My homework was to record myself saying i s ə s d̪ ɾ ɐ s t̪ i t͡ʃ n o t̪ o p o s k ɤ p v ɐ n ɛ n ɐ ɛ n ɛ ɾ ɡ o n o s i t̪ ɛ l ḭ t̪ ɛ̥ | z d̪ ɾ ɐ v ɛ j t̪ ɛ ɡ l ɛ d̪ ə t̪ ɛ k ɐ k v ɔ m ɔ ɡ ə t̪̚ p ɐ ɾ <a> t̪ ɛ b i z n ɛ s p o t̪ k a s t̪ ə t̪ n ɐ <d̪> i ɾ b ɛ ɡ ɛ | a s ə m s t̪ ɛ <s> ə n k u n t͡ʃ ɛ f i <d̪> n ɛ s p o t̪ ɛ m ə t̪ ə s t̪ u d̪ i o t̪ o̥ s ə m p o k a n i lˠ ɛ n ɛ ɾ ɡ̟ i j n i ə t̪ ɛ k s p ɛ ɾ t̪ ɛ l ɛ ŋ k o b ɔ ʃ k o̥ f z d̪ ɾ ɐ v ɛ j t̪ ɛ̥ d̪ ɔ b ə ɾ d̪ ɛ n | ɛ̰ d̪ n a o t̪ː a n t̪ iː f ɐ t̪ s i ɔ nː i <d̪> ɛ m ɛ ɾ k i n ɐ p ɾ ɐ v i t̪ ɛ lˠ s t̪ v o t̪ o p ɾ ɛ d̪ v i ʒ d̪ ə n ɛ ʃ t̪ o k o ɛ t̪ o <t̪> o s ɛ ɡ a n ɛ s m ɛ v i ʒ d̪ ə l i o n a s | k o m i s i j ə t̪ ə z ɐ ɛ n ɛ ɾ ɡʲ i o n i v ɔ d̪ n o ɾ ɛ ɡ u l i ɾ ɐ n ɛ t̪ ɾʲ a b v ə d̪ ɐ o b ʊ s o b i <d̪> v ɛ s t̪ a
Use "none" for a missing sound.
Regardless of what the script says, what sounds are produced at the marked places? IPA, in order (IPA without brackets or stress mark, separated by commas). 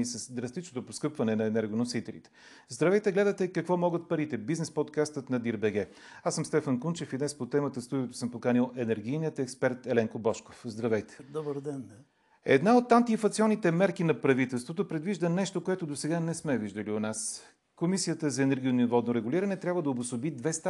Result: i, d̪, f, d̪, t̪, d̪, d̪